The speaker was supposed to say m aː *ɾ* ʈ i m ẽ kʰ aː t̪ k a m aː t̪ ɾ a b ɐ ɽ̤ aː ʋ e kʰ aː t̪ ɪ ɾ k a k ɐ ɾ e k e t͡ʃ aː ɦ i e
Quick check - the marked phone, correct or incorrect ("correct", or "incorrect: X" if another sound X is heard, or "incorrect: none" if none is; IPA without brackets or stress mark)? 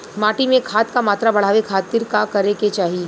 incorrect: none